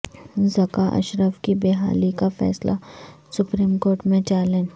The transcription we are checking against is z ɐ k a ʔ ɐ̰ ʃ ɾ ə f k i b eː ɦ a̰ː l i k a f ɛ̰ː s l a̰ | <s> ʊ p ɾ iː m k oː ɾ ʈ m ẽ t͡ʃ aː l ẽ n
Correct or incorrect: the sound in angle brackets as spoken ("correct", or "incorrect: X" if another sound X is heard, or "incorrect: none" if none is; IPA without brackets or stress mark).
correct